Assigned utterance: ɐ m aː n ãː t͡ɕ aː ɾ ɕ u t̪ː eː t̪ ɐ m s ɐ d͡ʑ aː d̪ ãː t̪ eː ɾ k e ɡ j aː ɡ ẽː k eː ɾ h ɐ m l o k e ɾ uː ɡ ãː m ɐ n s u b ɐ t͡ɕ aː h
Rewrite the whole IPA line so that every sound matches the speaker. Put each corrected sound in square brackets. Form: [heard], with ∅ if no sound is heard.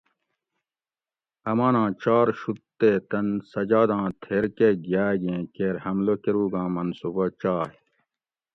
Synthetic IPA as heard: ɐ m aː n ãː t͡ɕ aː ɾ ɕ u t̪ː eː t̪ ɐ [n] s ɐ d͡ʑ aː d̪ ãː [t̪ʰ] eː ɾ k e ɡ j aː ɡ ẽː k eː ɾ h ɐ m l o k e ɾ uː ɡ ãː m ɐ n s u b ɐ t͡ɕ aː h